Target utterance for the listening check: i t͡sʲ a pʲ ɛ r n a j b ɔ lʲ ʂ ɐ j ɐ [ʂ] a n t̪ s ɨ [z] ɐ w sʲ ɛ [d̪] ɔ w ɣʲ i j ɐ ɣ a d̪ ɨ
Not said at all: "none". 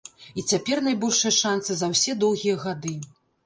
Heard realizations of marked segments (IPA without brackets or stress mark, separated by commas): ʂ, z, d̪